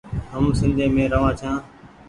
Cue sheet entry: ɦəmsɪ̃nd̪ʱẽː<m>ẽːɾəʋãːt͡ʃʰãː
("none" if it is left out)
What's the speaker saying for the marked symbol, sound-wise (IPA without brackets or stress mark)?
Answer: m